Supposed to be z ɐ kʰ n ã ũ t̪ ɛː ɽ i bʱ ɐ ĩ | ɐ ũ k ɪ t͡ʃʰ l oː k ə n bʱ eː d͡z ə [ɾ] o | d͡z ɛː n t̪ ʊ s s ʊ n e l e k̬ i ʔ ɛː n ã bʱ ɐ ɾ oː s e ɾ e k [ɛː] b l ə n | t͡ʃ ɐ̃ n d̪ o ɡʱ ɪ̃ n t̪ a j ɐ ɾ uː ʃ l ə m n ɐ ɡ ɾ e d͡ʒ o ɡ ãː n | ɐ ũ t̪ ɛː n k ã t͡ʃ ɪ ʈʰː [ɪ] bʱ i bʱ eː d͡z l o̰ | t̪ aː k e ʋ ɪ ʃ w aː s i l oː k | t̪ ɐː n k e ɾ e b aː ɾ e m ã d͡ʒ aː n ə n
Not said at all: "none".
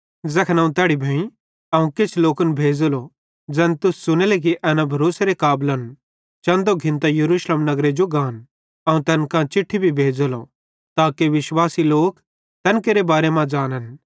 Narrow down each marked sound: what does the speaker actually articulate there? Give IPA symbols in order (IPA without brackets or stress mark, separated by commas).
l, aː, i